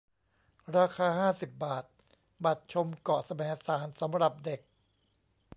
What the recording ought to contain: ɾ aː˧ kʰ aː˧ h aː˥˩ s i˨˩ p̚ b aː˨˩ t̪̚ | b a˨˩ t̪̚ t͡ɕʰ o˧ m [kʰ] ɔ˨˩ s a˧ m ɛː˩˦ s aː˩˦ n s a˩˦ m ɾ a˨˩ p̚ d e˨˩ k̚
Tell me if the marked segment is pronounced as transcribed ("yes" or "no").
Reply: no